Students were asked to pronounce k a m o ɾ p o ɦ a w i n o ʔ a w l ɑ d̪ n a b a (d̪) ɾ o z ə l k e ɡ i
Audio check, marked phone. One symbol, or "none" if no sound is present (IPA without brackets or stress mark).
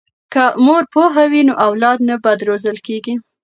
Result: d̪